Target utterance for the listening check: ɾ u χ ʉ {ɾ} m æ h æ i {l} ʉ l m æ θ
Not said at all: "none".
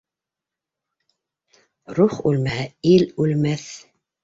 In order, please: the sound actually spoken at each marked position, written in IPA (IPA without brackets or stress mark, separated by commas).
l, l